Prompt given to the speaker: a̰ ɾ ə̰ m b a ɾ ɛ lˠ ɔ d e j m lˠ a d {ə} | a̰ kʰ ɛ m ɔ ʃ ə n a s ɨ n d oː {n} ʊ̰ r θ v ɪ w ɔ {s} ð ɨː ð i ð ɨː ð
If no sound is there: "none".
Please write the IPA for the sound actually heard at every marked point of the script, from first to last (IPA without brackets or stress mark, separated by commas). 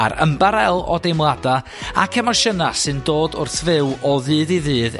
a, d, none